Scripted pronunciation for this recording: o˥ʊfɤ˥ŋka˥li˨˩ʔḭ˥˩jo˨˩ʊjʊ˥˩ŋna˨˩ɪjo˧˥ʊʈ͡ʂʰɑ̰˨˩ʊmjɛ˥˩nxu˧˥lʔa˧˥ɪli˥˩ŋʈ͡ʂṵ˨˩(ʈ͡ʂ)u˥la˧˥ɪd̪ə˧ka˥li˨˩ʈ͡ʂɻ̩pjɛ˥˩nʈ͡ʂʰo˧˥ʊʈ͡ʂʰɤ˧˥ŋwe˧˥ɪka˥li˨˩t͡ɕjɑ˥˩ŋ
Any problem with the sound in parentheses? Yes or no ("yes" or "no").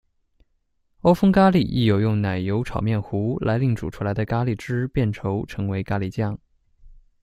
yes